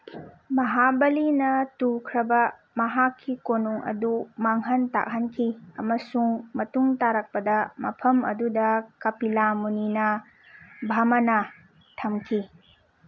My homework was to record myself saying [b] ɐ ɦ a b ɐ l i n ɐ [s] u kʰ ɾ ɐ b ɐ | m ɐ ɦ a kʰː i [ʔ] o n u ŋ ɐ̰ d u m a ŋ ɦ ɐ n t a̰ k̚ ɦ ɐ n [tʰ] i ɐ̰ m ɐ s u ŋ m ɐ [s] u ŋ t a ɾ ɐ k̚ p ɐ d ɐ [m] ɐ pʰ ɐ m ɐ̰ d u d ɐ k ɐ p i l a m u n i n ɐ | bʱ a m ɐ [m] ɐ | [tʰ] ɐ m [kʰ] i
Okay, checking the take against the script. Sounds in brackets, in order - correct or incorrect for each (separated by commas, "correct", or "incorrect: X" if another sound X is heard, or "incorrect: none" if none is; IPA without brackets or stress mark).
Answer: incorrect: m, incorrect: t, incorrect: k, incorrect: kʰ, incorrect: t, correct, incorrect: n, correct, correct